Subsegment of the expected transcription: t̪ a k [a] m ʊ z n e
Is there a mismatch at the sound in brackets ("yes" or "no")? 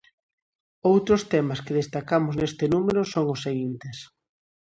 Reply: no